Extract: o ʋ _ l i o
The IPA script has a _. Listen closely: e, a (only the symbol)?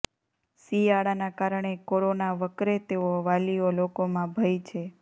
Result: a